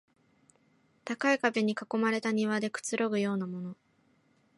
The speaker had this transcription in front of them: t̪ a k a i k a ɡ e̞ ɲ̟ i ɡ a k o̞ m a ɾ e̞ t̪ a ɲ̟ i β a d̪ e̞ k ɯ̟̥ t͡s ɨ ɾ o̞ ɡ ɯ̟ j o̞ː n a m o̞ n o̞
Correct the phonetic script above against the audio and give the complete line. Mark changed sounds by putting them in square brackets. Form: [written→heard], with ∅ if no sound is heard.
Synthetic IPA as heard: t̪ a k a i k a [ɡ→b] e̞ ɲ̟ i [ɡ→k] a k o̞ m a ɾ e̞ t̪ a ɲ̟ i β a d̪ e̞ k ɯ̟̥ t͡s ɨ ɾ o̞ ɡ ɯ̟ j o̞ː n a m o̞ n o̞